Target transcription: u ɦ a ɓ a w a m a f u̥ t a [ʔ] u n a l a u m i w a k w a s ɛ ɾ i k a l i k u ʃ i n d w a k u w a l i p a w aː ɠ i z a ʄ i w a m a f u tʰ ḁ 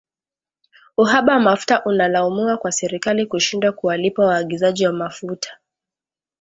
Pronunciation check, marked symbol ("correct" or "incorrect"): correct